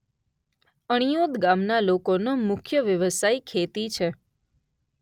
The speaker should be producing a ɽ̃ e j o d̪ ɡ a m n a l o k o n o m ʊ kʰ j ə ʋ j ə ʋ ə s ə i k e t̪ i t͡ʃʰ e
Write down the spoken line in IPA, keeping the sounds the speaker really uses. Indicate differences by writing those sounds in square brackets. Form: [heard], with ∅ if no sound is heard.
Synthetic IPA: [ə] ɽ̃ [i] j o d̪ ɡ a m n a l o k o n o m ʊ kʰ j ə ʋ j ə ʋ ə s [a] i [kʰ] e t̪ i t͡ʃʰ e